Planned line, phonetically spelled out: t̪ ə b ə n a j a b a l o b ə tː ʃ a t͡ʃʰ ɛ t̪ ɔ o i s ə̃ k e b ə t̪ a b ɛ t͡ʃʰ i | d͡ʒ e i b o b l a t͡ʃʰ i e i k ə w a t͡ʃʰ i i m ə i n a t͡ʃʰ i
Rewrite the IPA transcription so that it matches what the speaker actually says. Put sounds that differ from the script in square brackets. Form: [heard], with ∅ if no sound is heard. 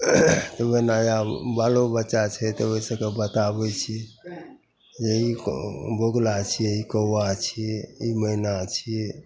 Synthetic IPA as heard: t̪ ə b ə n a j a b a l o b ə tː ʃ a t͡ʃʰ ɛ t̪ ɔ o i s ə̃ k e b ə t̪ a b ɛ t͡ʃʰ i | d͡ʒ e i b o [ɡ] l a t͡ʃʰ i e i k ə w a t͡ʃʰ i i m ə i n a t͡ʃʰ i

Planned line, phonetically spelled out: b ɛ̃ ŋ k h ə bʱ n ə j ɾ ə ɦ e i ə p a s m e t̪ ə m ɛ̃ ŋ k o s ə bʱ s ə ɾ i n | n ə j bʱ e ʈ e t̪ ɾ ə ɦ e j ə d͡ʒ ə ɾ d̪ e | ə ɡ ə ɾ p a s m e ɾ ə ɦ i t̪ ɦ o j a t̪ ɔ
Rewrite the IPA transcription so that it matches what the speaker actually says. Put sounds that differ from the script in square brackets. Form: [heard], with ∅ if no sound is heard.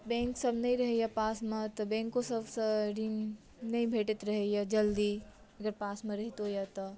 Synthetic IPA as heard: b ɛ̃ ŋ k [s] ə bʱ n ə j ɾ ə ɦ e [j] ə p a s m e t̪ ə [b] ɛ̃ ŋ k o s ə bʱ s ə ɾ i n | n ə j bʱ e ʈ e t̪ ɾ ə ɦ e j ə d͡ʒ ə [l] d̪ [i] | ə ɡ ə ɾ p a s m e ɾ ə ɦ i t̪ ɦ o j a t̪ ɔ

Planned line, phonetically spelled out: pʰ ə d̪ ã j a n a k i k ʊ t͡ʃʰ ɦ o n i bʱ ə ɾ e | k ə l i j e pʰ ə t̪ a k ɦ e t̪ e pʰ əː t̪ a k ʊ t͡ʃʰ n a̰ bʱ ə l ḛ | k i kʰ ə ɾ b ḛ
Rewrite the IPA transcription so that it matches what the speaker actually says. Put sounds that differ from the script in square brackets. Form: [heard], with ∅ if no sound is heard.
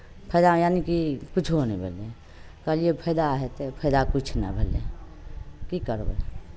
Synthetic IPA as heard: pʰ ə d̪ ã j a n [i] k i k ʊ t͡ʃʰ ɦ o n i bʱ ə [l] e | k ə l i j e pʰ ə [d̪] a [∅] ɦ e t̪ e pʰ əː [d̪] a k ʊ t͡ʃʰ n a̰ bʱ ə l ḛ | k i [k] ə ɾ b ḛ

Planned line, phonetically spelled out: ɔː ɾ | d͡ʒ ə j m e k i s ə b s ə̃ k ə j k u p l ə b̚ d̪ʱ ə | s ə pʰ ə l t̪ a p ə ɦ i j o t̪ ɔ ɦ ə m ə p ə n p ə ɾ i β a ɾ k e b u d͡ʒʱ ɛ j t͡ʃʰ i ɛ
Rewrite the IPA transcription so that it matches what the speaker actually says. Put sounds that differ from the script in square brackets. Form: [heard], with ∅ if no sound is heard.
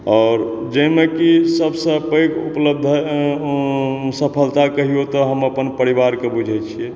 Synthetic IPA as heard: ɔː ɾ | d͡ʒ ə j m e k i s ə b s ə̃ [p] ə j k u p l ə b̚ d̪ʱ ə | s ə pʰ ə l t̪ a [k] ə ɦ i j o t̪ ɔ ɦ ə m ə p ə n p ə ɾ i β a ɾ k e b u d͡ʒʱ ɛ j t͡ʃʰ i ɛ

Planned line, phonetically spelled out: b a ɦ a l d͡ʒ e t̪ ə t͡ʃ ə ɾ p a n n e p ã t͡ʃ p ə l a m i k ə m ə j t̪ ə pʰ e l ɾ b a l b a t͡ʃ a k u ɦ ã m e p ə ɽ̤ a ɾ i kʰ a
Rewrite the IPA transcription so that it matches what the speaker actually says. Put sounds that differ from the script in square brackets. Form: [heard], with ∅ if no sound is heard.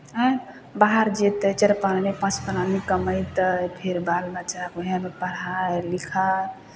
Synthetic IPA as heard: b a ɦ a [ɾ] d͡ʒ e t̪ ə t͡ʃ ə ɾ p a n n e p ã t͡ʃ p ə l a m i k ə m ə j t̪ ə pʰ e [∅] ɾ b a l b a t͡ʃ a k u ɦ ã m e p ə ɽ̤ a [l] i kʰ a

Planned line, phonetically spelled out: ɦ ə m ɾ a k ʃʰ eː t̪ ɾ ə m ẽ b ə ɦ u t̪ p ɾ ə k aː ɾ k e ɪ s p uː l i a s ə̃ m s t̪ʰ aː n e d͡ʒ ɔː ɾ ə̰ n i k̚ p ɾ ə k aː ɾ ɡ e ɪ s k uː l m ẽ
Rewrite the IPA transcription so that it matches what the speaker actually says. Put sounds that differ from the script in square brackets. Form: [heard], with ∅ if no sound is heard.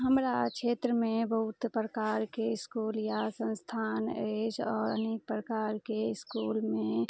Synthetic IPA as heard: ɦ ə m ɾ a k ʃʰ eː t̪ ɾ ə m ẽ b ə ɦ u t̪ p ɾ ə k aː ɾ k e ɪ s [k] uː l [j] a s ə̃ [n] s t̪ʰ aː n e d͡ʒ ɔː ɾ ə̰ n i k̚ p ɾ ə k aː ɾ [k] e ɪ s k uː l m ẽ

